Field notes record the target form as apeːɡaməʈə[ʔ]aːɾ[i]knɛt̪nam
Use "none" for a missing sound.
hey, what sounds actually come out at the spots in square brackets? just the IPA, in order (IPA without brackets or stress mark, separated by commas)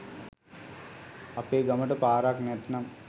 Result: p, a